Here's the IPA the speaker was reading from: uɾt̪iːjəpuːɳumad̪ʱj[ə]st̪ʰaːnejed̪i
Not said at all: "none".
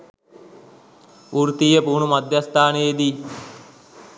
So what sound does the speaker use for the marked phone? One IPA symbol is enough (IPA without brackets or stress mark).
a